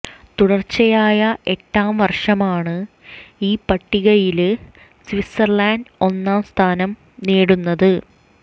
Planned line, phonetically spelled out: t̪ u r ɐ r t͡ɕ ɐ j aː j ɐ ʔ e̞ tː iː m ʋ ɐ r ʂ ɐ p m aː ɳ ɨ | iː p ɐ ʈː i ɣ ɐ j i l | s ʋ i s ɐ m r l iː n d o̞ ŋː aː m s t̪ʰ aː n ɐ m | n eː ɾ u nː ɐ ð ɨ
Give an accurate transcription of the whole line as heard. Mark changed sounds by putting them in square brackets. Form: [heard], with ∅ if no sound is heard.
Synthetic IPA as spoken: t̪ u [ɽ] ɐ r t͡ɕ ɐ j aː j ɐ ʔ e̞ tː [aː] m ʋ ɐ r ʂ ɐ [∅] m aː ɳ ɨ | iː p ɐ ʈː i ɣ ɐ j i l | s ʋ i s ɐ [∅] r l [aː] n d o̞ [nː] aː m s t̪ʰ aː n ɐ m | n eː [ɽ] u nː ɐ ð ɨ

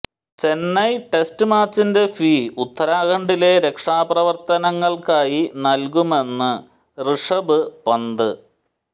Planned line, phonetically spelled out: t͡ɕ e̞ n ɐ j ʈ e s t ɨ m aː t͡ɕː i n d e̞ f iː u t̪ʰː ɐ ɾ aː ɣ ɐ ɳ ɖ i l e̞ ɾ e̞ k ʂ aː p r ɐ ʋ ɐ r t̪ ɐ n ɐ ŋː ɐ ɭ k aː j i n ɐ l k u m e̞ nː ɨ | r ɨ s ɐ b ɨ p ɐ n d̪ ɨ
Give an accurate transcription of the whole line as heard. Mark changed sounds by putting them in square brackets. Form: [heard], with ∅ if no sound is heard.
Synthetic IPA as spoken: t͡ɕ e̞ [nː] ɐ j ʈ e s t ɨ m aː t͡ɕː i n d e̞ f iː u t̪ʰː ɐ ɾ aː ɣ ɐ ɳ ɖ i l e̞ ɾ e̞ k ʂ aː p r ɐ ʋ ɐ r t̪ ɐ n ɐ ŋː ɐ ɭ k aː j i n ɐ l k u m e̞ nː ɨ | r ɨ [ʂ] ɐ b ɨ p ɐ n d̪ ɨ

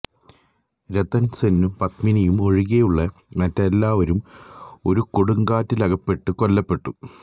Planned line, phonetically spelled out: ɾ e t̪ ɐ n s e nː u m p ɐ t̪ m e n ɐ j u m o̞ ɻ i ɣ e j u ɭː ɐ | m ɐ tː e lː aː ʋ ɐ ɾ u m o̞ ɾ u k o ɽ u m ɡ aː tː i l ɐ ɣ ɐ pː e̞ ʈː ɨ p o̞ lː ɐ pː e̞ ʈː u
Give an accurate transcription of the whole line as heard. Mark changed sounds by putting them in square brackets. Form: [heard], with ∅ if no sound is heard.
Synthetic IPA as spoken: ɾ e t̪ ɐ n s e nː u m p ɐ t̪ m [i] n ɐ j u m o̞ ɻ i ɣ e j u ɭː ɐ | m ɐ tː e lː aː ʋ ɐ ɾ u m o̞ ɾ u k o ɽ u [ŋ] ɡ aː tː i l ɐ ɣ ɐ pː e̞ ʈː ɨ [k] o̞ lː ɐ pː e̞ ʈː u

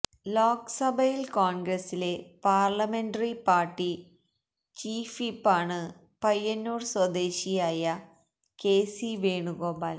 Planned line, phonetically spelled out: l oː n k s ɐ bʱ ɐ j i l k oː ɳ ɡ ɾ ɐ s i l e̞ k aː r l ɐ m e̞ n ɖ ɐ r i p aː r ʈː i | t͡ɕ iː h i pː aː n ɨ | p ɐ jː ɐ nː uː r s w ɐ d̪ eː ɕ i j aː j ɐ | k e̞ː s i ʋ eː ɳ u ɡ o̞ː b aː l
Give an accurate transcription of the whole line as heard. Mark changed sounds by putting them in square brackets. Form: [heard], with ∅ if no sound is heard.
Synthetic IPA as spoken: l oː [∅] k s ɐ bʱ ɐ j i l k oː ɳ ɡ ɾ ɐ s i l e̞ [p] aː r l ɐ m e̞ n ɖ ɐ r i p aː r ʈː i | t͡ɕ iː [f] i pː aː [ɳ] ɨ | p ɐ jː ɐ nː uː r s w ɐ d̪ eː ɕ i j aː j ɐ | k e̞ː s i ʋ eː ɳ u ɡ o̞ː b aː l

